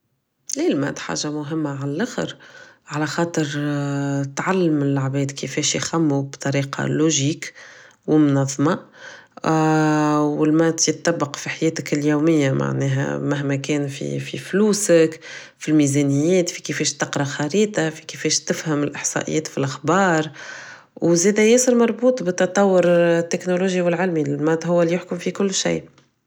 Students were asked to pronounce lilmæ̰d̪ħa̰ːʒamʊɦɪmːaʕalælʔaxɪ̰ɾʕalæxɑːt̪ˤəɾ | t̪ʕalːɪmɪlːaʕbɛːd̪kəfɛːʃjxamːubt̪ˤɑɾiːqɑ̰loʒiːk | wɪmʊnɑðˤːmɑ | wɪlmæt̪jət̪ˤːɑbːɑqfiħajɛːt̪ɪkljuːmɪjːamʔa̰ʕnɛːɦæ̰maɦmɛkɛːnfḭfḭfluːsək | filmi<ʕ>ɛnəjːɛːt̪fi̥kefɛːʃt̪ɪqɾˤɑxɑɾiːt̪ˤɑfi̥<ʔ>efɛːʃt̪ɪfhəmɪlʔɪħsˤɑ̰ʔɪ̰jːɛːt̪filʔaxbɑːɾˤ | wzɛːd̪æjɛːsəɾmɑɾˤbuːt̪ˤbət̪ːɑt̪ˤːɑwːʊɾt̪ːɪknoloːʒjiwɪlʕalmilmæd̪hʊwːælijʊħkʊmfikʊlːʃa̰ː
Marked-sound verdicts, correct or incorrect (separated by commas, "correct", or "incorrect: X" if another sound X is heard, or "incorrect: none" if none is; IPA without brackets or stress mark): incorrect: z, incorrect: k